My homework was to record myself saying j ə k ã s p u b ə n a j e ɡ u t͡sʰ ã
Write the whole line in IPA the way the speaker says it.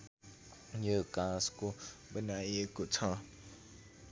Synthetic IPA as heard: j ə k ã s k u b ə n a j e k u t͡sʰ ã